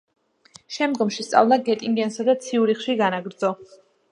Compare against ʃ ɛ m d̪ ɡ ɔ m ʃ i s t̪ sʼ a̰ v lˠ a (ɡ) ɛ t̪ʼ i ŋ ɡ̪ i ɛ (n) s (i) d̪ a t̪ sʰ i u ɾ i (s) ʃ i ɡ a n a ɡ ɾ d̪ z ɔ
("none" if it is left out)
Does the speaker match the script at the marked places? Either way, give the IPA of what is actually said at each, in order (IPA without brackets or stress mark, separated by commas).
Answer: ɡ, n, a, χ